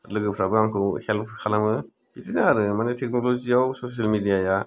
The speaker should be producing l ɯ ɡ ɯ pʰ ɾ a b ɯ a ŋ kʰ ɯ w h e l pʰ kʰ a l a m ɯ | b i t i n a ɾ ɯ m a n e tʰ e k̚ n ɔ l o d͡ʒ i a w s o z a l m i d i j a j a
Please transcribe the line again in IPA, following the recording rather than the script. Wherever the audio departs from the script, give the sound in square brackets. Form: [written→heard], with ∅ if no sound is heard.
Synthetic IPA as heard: l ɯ ɡ ɯ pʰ ɾ a b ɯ a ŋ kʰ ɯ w h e l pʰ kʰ a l a m ɯ | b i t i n a ɾ ɯ m a n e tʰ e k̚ n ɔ l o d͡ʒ i a w s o [z→s] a l m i d i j a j a